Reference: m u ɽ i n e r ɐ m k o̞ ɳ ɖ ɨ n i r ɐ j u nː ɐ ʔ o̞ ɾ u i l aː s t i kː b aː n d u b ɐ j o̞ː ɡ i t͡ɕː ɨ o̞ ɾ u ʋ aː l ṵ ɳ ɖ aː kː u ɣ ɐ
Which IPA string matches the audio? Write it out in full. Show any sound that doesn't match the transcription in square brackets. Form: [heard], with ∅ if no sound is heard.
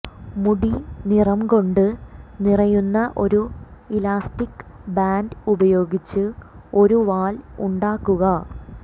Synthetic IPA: m u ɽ i n [i] r ɐ m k o̞ ɳ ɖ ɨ n i r ɐ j u nː ɐ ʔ o̞ ɾ u i l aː s t i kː b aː n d u b ɐ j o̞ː ɡ i t͡ɕː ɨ o̞ ɾ u ʋ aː l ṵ ɳ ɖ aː kː u ɣ ɐ